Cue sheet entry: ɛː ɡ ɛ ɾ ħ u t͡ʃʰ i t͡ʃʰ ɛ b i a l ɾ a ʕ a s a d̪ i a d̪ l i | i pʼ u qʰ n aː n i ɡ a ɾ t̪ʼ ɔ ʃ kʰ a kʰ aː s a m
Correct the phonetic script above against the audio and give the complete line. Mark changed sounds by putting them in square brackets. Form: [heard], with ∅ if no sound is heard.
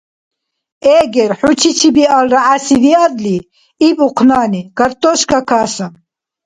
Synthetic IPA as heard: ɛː ɡ ɛ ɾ ħ u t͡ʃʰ i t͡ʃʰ [i] b i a l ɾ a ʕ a s [i] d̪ i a d̪ l i | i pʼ u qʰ n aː n i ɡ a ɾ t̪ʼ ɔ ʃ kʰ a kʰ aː s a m